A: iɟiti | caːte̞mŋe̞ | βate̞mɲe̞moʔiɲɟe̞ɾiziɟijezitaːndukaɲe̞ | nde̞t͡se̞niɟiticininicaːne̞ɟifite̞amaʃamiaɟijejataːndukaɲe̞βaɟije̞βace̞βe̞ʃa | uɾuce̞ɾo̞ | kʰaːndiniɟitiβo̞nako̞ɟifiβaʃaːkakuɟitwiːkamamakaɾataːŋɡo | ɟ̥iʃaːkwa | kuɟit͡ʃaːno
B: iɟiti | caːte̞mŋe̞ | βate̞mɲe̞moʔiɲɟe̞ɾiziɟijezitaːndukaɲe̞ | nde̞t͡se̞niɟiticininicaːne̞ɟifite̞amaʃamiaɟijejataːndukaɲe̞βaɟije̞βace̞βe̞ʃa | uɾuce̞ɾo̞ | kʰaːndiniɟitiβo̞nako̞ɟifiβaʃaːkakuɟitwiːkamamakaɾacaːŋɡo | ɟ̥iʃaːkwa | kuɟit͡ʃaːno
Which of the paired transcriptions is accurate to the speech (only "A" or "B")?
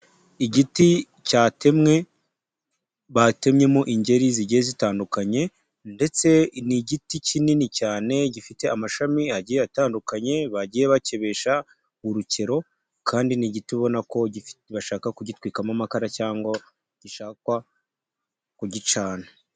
B